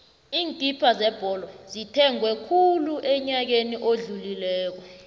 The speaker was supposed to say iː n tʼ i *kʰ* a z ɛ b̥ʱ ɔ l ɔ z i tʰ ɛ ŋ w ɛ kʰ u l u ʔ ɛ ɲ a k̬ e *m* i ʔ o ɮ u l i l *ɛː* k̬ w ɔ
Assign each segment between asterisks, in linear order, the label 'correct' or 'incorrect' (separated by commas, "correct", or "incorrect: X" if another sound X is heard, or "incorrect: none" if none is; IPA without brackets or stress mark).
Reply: incorrect: pʰ, incorrect: n, correct